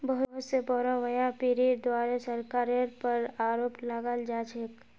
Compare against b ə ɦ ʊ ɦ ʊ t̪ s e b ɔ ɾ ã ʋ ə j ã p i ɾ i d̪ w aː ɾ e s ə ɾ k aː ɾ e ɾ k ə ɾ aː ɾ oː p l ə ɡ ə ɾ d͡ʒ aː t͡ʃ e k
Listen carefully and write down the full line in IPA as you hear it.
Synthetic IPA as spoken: b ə ɦ ʊ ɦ ʊ t̪ s e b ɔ ɾ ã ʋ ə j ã p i ɾ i d̪ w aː ɾ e s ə ɾ k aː ɾ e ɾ p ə ɾ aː ɾ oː p l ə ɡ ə l d͡ʒ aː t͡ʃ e k